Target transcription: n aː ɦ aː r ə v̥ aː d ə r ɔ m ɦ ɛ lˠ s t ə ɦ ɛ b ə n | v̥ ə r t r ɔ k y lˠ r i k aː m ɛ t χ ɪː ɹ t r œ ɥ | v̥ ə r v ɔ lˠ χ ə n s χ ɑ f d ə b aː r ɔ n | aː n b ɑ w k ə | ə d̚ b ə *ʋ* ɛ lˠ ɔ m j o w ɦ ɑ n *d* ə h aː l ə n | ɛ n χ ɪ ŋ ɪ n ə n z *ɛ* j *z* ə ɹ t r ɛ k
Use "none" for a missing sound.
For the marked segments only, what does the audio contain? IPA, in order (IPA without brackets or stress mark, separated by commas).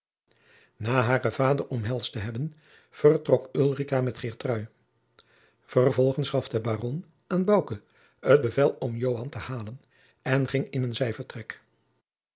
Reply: v, t, ɛ, v